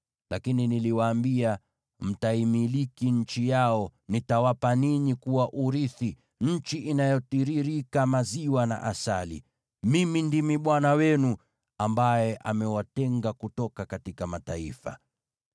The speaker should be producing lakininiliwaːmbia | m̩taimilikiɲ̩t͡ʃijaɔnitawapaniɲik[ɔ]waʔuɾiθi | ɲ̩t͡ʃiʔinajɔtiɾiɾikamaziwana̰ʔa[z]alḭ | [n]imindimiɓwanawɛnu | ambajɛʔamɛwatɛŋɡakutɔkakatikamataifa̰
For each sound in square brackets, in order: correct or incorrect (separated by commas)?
incorrect, incorrect, incorrect